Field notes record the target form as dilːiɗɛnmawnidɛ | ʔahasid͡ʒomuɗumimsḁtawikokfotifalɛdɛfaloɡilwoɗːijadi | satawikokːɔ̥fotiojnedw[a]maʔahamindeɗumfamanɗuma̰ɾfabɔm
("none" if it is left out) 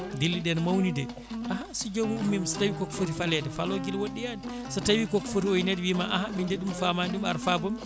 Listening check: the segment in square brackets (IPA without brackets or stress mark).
i